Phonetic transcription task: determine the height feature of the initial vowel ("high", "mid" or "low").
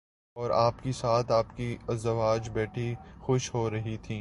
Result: mid